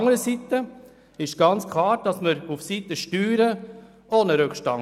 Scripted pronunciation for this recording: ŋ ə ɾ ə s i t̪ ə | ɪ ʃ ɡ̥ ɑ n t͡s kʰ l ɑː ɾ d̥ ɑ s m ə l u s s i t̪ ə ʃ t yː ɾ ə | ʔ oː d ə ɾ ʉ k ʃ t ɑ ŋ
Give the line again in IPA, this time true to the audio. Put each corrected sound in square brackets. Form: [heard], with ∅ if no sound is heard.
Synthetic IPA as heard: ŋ ə ɾ ə s i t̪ ə | ɪ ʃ ɡ̥ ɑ n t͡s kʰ l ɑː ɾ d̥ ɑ s m ə [ɾ] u [f] s i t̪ ə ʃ t yː ɾ ə | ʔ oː [n] ə ɾ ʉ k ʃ t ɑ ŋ